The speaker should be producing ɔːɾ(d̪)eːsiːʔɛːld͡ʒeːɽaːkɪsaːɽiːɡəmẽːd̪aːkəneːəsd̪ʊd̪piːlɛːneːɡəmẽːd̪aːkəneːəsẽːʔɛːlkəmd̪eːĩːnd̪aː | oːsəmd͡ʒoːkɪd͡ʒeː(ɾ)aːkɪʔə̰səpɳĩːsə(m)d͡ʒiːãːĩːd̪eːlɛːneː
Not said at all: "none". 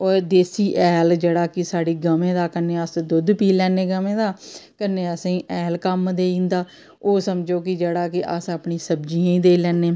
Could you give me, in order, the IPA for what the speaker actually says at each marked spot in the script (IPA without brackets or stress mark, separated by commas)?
d̪, ɽ, b